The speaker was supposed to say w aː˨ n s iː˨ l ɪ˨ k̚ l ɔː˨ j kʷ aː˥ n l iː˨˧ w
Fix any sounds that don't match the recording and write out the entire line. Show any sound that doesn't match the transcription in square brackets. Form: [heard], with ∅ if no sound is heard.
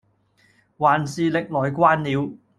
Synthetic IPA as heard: w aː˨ n s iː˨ l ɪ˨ k̚ l ɔː˨ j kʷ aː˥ n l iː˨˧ w